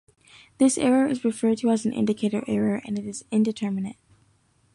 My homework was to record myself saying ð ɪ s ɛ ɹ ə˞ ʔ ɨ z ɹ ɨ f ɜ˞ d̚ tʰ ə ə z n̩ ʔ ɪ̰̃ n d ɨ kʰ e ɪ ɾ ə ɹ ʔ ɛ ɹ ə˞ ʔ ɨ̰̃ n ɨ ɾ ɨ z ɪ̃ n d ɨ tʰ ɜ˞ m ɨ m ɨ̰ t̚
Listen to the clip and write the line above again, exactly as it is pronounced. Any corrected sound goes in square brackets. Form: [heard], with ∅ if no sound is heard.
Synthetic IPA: ð ɪ s ɛ ɹ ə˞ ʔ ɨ z ɹ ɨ f ɜ˞ d̚ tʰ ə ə z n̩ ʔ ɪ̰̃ n d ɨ kʰ e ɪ ɾ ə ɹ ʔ ɛ ɹ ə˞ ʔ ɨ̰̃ n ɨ ɾ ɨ z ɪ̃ n d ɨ tʰ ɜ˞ m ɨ [n] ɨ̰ t̚